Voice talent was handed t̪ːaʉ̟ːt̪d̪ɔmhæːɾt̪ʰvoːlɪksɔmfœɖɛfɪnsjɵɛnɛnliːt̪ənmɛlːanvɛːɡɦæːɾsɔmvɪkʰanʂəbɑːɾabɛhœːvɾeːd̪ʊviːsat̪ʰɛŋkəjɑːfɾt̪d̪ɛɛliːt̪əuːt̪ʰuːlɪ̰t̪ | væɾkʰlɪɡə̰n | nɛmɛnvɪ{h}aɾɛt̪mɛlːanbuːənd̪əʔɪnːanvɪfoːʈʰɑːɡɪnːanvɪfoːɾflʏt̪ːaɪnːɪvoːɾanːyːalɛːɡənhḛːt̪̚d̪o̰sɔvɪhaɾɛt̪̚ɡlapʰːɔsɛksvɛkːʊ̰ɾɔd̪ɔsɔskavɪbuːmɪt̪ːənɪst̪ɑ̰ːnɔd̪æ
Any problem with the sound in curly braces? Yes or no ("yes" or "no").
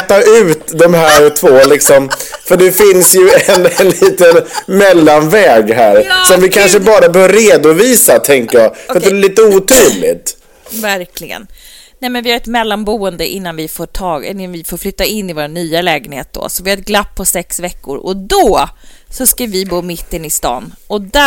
no